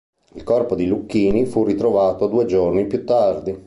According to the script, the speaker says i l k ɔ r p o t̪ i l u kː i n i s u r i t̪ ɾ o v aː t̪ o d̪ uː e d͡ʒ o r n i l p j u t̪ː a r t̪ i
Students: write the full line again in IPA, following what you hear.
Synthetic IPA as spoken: i l k ɔ r p o d̪ i l u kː iː n i f u r i t̪ ɾ o v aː t̪ o d̪ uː e d͡ʒ o r n i p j u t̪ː a r d̪ i